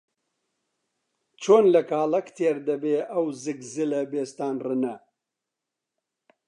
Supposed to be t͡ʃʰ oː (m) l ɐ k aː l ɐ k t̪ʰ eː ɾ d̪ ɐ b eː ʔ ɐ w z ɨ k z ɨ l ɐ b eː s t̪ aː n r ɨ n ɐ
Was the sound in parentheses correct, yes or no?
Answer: no